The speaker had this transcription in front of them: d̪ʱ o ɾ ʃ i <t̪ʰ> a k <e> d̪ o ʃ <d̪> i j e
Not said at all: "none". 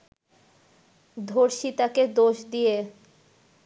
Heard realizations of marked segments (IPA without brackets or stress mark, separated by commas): t̪, e, d̪